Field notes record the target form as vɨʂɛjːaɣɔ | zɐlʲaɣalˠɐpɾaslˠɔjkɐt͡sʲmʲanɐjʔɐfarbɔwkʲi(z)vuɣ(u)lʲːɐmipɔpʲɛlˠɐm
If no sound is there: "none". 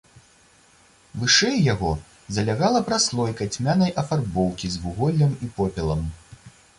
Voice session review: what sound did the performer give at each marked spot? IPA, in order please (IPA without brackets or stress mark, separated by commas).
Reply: z, ɔ